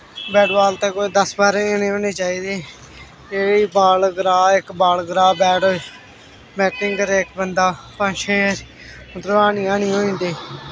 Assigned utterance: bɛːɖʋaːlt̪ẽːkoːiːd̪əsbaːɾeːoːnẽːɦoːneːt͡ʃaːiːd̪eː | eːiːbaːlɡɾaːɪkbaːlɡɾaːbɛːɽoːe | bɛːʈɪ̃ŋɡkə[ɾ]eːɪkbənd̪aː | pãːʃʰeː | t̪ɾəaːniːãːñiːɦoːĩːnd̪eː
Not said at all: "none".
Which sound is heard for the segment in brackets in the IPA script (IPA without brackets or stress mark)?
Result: ɾ